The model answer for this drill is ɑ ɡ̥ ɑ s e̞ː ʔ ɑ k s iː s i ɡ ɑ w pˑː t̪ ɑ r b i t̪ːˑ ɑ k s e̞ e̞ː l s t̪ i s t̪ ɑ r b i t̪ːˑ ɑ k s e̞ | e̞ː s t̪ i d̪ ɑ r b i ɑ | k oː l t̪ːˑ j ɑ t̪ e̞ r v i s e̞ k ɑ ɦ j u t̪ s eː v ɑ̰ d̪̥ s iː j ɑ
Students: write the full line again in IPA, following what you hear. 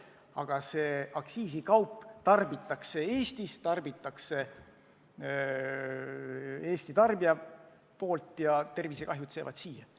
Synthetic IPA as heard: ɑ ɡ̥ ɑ s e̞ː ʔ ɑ k s iː s i k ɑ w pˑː t̪ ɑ r b i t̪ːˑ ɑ k s e̞ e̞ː s t̪ i s t̪ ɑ r b i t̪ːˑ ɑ k s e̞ | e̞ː s t̪ i t̪ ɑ r b i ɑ | p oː l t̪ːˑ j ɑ t̪ e̞ r v i s e̞ k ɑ ɦ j u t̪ s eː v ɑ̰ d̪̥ s iː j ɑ